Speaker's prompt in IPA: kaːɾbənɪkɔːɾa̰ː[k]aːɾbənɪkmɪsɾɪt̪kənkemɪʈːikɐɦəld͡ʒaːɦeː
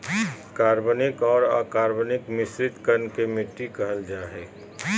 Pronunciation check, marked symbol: correct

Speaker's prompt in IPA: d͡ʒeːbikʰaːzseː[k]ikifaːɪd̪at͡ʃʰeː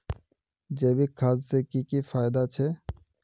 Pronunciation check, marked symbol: correct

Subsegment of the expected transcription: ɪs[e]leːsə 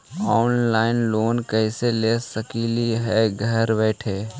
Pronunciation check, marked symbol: correct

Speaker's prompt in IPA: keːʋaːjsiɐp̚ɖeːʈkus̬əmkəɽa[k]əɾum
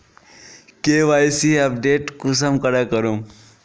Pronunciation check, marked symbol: correct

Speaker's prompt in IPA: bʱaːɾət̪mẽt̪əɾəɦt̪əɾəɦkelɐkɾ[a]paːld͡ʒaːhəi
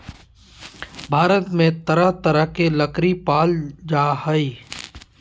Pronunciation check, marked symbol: incorrect: i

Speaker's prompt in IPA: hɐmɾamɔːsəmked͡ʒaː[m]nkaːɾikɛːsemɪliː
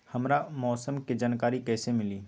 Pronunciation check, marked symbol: incorrect: none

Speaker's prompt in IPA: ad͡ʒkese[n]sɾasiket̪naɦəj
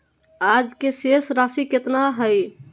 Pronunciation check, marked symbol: incorrect: none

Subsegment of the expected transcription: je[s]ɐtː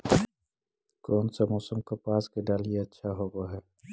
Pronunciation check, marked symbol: incorrect: none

